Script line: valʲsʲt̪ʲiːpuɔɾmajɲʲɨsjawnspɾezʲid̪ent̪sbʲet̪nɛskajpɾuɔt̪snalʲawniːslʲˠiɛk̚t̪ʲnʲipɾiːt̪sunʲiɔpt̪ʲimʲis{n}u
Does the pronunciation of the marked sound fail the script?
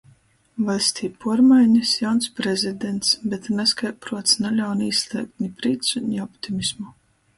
yes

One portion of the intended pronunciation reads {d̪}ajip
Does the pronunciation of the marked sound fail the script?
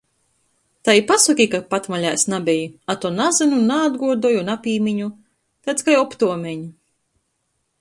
yes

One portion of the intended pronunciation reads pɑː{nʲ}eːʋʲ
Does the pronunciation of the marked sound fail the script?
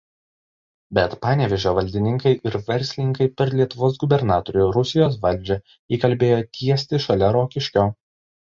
no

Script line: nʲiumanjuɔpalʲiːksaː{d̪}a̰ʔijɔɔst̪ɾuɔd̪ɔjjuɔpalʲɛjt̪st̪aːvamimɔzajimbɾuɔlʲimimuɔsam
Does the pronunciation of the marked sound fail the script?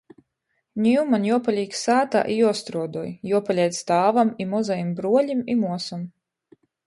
yes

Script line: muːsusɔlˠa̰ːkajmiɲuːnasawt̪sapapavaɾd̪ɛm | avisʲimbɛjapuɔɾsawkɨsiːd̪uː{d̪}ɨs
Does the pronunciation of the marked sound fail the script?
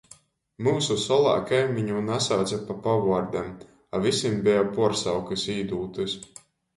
yes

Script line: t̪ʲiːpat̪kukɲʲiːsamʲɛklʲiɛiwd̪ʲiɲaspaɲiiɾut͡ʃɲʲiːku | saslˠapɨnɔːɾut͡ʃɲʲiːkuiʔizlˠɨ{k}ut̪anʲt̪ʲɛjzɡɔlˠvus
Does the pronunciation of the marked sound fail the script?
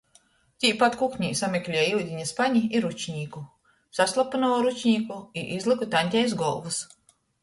no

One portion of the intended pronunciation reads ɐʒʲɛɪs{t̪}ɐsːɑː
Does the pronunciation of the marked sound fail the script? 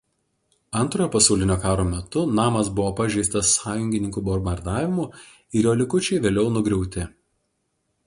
no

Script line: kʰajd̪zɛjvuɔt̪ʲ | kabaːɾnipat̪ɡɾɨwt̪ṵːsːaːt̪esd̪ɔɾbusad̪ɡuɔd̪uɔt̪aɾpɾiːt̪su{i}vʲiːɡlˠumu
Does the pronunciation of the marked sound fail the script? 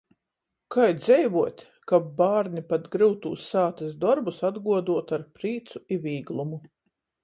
no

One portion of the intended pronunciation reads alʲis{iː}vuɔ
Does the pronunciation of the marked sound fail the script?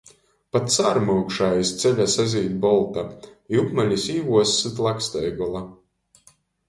no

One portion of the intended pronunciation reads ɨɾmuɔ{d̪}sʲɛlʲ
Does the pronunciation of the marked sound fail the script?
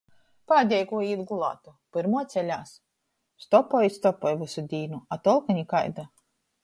yes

